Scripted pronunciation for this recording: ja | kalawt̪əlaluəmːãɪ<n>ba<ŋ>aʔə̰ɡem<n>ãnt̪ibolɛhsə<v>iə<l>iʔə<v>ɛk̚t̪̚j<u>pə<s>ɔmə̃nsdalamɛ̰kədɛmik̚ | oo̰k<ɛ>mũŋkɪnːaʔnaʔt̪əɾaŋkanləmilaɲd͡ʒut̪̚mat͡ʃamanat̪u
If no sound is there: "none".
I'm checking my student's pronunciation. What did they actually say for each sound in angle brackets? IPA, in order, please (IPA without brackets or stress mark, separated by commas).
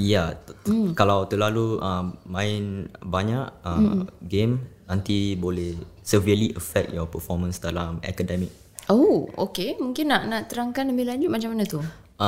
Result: n, ɲ, n, v, l, f, ɔ, f, e